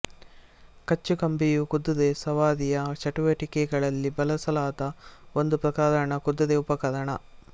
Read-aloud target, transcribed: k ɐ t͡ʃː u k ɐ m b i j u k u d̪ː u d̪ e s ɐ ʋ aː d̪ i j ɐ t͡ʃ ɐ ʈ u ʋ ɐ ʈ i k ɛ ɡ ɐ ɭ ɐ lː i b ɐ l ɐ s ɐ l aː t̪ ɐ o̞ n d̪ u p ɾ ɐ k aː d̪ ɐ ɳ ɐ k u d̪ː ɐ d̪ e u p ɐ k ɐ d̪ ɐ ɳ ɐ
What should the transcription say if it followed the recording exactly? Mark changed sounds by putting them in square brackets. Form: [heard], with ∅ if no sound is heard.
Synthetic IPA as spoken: k ɐ t͡ʃː u k ɐ m b i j u k u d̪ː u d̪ e s ɐ ʋ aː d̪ i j ɐ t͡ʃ ɐ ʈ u ʋ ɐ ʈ i k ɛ ɡ ɐ ɭ ɐ lː i b ɐ l ɐ s ɐ l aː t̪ ɐ o̞ n d̪ u p ɾ ɐ k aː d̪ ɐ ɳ ɐ k u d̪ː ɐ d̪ e u p ɐ k ɐ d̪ ɐ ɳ ɐ